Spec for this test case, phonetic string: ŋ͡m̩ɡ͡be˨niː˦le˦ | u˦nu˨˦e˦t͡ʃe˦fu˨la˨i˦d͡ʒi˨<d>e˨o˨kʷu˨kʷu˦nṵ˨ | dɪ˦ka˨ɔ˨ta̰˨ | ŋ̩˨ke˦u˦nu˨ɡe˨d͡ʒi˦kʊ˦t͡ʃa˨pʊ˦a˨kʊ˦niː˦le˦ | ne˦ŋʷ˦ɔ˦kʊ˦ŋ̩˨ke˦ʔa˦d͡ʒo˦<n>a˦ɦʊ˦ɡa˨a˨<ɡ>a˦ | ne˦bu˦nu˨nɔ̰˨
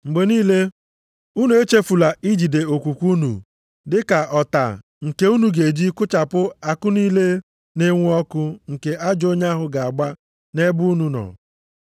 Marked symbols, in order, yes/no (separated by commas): yes, no, no